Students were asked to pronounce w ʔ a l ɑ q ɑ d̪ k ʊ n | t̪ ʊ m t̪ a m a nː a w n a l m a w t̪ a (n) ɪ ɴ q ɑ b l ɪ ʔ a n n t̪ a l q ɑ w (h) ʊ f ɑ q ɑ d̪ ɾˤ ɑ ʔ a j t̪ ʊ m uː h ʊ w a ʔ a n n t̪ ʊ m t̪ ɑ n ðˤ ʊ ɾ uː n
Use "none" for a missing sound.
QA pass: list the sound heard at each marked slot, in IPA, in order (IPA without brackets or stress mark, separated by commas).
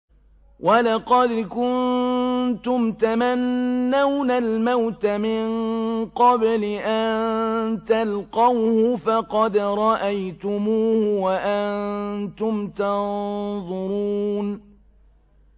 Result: m, h